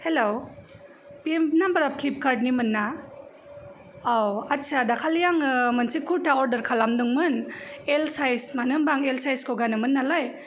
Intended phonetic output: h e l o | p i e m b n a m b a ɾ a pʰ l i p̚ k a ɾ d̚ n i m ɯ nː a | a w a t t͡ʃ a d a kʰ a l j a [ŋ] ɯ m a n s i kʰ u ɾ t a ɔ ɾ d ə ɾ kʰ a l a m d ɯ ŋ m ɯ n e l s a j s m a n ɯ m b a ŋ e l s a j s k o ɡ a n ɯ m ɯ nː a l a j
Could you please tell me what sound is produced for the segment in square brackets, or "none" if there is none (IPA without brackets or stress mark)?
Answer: ŋ